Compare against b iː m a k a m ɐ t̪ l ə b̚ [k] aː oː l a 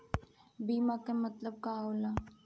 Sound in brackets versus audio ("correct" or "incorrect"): correct